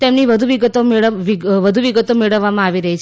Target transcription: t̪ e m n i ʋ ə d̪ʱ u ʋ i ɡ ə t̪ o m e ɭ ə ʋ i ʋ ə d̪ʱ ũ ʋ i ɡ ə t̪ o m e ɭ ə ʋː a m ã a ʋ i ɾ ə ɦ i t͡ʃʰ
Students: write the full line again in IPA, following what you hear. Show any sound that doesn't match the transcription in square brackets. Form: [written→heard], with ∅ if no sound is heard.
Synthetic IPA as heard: t̪ e m n i ʋ ə d̪ʱ u ʋ i ɡ ə t̪ o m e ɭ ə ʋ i ʋ ə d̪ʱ [ũ→u] ʋ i ɡ ə t̪ o m e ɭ ə ʋː a m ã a ʋ i ɾ ə ɦ i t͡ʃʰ